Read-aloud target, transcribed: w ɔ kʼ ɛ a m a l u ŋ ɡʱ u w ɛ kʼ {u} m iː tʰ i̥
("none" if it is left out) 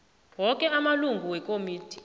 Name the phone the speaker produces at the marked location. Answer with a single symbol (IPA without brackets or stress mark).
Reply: o